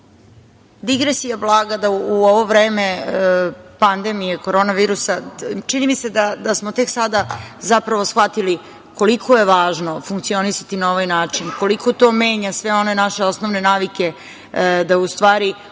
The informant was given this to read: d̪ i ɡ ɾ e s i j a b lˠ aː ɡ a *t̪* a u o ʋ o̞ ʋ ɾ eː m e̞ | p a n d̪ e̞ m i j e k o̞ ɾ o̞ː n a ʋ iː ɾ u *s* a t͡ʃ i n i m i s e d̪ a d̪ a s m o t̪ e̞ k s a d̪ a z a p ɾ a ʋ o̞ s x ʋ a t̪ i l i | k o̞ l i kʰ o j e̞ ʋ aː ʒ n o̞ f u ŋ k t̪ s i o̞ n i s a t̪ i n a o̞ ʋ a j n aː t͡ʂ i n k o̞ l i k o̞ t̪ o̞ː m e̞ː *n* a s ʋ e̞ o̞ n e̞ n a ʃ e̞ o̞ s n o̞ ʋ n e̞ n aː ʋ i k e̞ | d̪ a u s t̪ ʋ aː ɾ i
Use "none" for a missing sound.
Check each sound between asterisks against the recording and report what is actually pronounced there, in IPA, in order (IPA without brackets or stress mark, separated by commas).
d̪, s, ɲ